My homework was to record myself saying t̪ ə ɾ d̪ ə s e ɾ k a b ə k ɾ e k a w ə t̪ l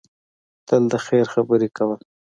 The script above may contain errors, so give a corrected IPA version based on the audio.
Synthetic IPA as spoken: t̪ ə l d̪ ə x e ɾ x a b ə ɾ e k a w ə l